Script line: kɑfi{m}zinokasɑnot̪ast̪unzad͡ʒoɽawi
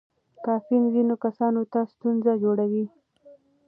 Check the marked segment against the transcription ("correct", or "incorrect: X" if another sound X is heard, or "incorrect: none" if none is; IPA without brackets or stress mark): incorrect: n